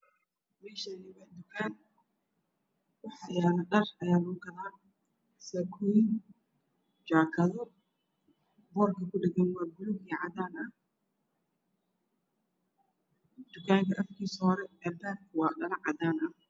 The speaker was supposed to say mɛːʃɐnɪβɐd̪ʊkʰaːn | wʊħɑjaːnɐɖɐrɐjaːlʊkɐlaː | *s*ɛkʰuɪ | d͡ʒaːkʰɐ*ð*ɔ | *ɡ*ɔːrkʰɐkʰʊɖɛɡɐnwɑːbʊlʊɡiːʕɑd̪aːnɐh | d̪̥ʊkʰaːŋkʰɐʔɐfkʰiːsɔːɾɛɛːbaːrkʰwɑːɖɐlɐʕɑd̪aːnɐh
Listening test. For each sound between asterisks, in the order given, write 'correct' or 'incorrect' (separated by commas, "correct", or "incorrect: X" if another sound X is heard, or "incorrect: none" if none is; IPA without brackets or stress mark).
correct, correct, incorrect: b